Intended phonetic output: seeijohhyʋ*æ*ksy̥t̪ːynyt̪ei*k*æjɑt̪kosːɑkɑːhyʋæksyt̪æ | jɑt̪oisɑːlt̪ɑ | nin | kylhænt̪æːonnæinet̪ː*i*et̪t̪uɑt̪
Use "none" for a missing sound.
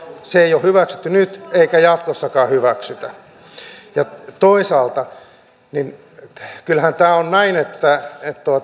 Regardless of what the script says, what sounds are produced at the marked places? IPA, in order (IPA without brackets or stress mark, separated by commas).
æ, k, æ